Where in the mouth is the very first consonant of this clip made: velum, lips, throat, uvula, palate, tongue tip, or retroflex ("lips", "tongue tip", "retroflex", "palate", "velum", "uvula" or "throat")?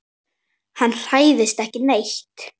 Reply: throat